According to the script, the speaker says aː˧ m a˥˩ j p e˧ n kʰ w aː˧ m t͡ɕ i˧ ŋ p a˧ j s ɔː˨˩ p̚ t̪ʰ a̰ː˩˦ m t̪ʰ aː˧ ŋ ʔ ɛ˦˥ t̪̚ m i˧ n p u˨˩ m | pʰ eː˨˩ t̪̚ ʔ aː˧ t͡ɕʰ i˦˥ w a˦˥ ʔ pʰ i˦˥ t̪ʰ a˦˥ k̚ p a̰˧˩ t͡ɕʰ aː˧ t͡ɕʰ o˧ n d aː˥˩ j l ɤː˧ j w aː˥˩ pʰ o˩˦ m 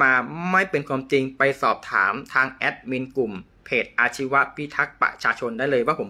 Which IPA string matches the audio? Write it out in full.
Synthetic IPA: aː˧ m a˥˩ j p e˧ n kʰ w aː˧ m t͡ɕ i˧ ŋ p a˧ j s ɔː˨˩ p̚ t̪ʰ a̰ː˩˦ m t̪ʰ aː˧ ŋ ʔ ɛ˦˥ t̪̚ m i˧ n k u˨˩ m | pʰ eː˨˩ t̪̚ ʔ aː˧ t͡ɕʰ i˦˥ w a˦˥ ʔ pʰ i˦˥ t̪ʰ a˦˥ k̚ p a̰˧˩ t͡ɕʰ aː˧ t͡ɕʰ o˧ n d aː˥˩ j l ɤː˧ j w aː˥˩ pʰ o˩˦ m

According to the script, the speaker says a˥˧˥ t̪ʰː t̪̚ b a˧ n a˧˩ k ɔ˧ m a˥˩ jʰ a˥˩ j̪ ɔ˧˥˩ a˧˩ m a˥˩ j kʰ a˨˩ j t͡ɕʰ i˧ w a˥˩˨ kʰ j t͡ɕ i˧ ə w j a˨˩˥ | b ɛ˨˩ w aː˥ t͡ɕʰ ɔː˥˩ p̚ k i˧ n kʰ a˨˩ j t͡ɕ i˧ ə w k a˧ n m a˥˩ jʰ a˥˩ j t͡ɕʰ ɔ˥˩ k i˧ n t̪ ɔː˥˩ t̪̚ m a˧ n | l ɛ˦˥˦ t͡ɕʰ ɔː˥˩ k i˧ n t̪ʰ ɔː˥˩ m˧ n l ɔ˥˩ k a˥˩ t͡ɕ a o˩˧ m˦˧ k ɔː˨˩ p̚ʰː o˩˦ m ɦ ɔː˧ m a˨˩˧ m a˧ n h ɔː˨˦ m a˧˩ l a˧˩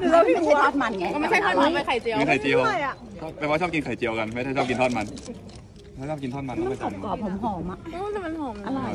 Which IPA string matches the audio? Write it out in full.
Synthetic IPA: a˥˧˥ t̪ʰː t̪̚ m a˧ n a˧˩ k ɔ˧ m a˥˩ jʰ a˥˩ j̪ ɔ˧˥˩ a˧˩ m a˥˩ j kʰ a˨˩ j t͡ɕ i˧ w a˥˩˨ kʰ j t͡ɕ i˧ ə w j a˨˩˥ | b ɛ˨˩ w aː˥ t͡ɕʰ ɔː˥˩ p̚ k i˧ n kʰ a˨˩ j t͡ɕ i˧ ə w k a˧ n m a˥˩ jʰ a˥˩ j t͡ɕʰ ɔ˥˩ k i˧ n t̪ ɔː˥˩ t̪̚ m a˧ n | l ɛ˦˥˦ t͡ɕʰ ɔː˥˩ k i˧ n t̪ʰ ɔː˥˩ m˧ n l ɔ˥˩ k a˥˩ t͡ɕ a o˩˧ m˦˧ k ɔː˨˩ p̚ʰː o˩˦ m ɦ ɔː˩˦ m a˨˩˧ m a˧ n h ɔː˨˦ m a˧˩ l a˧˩

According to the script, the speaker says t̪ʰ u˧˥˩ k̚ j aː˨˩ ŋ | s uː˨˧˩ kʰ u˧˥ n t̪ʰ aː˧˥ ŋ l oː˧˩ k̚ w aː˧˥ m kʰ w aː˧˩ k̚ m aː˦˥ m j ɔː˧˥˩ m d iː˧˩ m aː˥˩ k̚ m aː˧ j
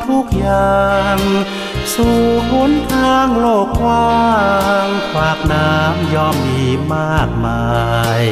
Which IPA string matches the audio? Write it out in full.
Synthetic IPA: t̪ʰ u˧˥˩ k̚ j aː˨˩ ŋ | s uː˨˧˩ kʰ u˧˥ n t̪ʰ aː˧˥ ŋ l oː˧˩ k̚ w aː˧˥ ŋ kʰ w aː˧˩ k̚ n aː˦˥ m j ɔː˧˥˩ m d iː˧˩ m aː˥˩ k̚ m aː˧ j

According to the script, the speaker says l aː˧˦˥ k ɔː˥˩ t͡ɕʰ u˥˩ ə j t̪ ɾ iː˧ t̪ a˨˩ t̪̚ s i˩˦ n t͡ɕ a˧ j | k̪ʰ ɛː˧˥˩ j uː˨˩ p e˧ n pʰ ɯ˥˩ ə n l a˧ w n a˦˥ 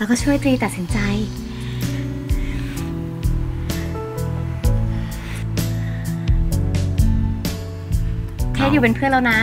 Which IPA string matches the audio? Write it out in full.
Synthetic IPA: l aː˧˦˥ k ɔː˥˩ t͡ɕʰ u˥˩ ə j t̪ ɾ iː˧ t̪ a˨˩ t̪̚ s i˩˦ n t͡ɕ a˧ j | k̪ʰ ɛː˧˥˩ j uː˨˩ p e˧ n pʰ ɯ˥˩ ə n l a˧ w n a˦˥

